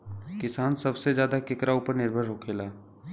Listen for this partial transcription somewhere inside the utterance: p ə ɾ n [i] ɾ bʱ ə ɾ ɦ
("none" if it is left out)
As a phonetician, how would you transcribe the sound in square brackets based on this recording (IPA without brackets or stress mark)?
ɪ